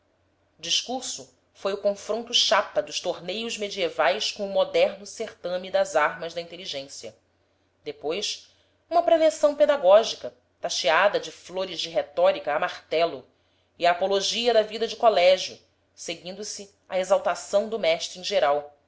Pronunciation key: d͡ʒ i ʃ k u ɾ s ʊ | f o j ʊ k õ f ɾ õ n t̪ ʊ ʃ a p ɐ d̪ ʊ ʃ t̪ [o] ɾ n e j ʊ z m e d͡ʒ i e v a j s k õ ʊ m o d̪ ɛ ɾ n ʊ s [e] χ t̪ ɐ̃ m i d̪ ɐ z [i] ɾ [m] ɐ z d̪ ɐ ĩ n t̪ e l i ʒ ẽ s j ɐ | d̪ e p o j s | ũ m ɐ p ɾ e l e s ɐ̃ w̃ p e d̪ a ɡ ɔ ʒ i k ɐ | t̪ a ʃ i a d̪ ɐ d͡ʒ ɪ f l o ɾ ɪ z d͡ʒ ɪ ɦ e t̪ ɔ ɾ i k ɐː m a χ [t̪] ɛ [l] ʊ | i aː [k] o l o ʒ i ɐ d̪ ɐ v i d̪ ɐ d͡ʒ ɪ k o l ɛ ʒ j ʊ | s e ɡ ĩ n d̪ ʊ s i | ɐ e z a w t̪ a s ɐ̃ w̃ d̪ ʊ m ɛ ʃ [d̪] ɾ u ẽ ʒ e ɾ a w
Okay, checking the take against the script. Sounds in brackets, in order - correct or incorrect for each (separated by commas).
correct, correct, incorrect, correct, correct, correct, incorrect, incorrect